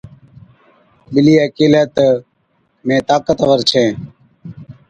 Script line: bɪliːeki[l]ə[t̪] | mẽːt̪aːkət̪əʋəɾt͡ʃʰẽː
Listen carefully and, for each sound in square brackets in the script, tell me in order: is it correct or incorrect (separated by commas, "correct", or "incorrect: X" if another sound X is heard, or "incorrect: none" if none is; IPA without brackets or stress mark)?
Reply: correct, correct